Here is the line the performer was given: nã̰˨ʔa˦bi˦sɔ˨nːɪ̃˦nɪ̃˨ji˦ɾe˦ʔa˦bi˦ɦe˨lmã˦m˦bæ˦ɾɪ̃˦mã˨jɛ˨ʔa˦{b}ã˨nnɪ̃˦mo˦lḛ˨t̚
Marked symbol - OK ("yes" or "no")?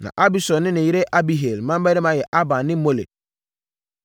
yes